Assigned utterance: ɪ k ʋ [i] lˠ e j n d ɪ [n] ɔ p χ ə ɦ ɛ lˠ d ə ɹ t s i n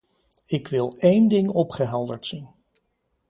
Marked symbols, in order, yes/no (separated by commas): no, no